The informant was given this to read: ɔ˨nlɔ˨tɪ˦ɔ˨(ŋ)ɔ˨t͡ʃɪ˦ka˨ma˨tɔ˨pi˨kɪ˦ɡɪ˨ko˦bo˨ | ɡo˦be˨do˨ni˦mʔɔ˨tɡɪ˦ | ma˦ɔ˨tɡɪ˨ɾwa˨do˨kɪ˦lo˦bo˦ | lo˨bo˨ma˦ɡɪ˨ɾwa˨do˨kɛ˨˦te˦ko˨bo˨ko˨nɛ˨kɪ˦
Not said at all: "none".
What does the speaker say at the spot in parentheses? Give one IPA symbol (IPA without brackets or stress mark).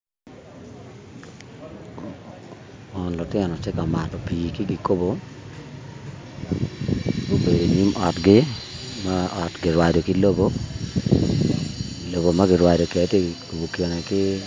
n